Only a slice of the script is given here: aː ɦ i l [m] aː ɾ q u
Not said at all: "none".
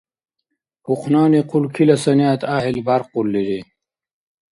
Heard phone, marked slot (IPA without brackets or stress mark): b